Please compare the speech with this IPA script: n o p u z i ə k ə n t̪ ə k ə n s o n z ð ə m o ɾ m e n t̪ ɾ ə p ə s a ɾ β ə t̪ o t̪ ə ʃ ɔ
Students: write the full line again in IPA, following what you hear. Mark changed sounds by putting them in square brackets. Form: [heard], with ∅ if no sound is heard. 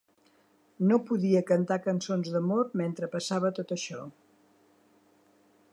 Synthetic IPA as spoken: n o p u [ð] i ə k ə n t̪ [a] k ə n s o n z ð ə m o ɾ m e n t̪ ɾ ə p ə s a [∅] β ə t̪ o t̪ ə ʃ ɔ